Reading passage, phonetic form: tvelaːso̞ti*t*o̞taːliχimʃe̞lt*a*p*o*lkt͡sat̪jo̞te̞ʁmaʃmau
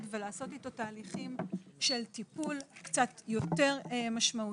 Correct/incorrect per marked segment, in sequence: correct, incorrect, incorrect

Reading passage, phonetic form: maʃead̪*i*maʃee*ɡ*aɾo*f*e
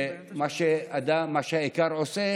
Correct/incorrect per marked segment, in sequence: incorrect, incorrect, incorrect

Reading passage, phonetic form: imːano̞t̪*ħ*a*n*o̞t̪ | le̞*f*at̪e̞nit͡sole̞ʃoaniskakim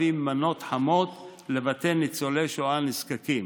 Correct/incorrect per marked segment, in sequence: correct, incorrect, incorrect

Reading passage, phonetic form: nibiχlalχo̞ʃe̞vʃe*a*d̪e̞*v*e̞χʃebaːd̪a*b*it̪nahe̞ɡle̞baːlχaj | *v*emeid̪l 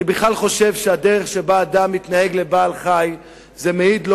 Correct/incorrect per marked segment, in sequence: correct, incorrect, incorrect, incorrect

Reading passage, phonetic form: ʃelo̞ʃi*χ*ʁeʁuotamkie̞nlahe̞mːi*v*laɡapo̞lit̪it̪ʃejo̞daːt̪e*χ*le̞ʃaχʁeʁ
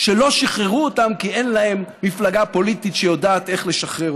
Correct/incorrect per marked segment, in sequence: correct, incorrect, correct

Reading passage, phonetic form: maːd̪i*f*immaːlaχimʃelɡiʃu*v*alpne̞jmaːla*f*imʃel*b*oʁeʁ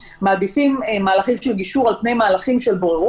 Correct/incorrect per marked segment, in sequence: correct, incorrect, incorrect, correct

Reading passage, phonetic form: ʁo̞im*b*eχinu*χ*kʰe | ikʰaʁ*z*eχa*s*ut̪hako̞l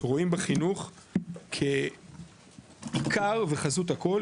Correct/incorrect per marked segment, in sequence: correct, correct, incorrect, incorrect

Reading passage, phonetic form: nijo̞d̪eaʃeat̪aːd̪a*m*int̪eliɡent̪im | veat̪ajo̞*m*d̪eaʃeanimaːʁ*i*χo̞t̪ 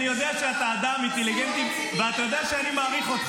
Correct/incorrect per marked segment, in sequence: correct, incorrect, correct

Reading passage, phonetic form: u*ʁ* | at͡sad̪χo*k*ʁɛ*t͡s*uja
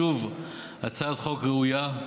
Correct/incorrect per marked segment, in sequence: incorrect, correct, incorrect

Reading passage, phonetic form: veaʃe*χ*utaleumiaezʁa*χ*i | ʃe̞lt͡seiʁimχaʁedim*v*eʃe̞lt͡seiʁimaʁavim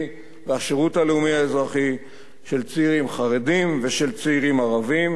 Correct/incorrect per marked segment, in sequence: incorrect, correct, correct

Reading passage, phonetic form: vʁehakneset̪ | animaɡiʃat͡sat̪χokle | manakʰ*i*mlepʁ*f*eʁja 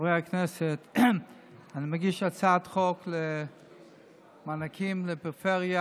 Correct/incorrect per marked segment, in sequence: correct, correct

